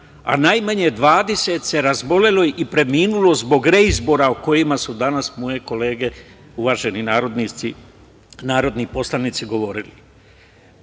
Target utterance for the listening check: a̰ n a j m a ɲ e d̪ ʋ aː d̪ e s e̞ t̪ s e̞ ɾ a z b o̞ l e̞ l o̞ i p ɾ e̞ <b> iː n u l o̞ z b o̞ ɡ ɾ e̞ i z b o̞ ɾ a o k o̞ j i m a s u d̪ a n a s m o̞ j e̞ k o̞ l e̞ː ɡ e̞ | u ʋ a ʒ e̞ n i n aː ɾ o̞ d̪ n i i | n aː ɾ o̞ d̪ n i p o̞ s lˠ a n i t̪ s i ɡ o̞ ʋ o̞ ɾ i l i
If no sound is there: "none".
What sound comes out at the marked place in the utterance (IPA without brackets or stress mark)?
m